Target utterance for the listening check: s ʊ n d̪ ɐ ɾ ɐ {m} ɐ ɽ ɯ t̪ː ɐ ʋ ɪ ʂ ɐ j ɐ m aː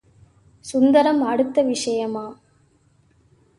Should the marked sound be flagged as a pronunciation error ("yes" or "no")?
no